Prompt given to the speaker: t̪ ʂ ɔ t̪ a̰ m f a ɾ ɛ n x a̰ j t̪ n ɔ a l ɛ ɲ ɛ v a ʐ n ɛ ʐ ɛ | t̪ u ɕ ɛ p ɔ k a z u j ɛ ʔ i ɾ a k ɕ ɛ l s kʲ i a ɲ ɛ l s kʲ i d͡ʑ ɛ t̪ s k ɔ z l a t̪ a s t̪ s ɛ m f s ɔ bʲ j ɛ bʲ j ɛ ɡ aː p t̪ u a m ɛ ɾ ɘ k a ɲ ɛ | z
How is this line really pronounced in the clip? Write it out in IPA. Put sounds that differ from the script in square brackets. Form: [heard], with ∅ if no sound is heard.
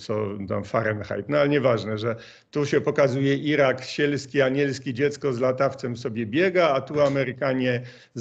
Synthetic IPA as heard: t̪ [s] ɔ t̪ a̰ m f a ɾ ɛ n x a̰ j t̪ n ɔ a l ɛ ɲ ɛ v a ʐ n ɛ ʐ ɛ | t̪ u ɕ ɛ p ɔ k a z u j ɛ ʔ i ɾ a k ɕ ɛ l s kʲ i a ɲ ɛ l s kʲ i d͡ʑ ɛ t̪ s k ɔ z l a t̪ a [f] t̪ s ɛ m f s ɔ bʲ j ɛ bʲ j ɛ ɡ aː [∅] t̪ u a m ɛ ɾ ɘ k a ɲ ɛ | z